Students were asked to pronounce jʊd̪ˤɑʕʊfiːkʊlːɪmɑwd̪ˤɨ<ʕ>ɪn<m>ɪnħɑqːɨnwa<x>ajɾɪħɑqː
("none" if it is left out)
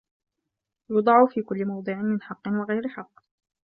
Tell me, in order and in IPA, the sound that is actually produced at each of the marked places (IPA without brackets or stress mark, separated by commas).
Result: ʕ, m, ɣ